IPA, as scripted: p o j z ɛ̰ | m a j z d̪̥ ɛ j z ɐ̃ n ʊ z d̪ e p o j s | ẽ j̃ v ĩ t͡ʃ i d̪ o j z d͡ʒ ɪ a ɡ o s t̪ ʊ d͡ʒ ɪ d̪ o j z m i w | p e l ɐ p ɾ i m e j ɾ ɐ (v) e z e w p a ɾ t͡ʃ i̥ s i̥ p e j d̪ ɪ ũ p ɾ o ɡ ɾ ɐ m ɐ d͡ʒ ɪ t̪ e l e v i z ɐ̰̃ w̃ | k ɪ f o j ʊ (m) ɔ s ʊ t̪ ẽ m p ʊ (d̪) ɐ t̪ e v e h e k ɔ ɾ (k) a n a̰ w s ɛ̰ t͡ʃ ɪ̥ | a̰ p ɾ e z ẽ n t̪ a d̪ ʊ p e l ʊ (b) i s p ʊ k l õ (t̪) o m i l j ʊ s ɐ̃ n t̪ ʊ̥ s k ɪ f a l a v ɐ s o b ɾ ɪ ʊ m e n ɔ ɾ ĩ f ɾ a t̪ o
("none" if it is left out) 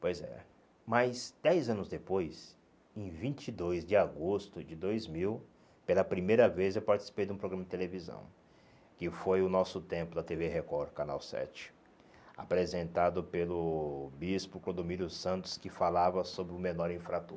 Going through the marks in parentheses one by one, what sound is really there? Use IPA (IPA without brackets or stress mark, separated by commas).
v, n, d̪, k, b, d̪